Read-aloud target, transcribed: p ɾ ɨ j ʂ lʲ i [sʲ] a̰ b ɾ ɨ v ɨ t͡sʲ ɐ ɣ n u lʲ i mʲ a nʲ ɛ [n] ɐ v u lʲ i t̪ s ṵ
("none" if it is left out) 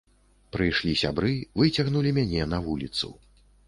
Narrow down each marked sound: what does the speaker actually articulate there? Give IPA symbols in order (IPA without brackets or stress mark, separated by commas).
sʲ, n